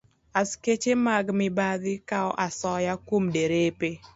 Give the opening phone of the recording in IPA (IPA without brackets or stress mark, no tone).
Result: a